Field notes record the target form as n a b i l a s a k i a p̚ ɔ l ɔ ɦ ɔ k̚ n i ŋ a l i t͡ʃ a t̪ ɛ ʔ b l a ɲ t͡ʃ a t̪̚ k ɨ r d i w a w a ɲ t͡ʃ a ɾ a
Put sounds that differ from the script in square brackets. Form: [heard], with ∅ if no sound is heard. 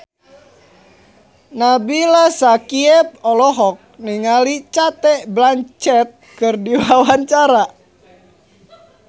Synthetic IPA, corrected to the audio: n a b i l a s a k i [ɛ] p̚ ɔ l ɔ ɦ ɔ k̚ n i ŋ a l i t͡ʃ a t̪ ɛ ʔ b l a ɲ t͡ʃ [ɛ] t̪̚ k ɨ r d i w a w a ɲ t͡ʃ a ɾ a